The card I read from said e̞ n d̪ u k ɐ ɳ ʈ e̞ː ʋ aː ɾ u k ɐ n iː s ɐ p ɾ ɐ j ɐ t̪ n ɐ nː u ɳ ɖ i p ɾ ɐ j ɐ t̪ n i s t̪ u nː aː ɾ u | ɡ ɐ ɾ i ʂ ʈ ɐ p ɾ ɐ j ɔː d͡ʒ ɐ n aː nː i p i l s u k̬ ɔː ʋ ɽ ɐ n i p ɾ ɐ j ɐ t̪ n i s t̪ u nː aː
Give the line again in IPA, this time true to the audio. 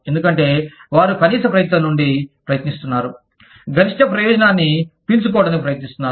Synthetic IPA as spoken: e̞ n d̪ u k ɐ ɳ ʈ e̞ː ʋ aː ɾ u k ɐ n iː s ɐ p ɾ ɐ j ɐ t̪ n ɐ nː u ɳ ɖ i p ɾ ɐ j ɐ t̪ n i s t̪ u nː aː ɾ u | ɡ ɐ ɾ i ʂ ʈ ɐ p ɾ ɐ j ɔː d͡ʒ ɐ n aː nː i p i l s u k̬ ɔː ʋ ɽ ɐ n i p ɾ ɐ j ɐ t̪ n i s t̪ u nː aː